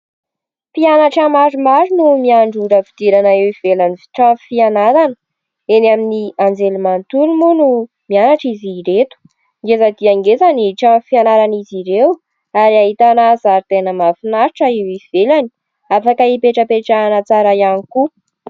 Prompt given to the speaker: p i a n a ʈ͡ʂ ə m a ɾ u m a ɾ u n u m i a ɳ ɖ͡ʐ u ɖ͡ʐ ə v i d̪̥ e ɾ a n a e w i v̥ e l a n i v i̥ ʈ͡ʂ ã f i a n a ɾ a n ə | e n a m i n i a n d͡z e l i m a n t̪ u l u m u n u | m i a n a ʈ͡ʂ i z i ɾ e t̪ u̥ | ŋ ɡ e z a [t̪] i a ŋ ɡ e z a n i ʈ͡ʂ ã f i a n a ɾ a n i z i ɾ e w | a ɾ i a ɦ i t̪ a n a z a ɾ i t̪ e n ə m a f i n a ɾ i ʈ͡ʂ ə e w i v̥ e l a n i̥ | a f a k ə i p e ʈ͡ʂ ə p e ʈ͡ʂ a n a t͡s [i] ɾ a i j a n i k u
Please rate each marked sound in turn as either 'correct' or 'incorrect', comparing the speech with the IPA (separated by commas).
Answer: incorrect, incorrect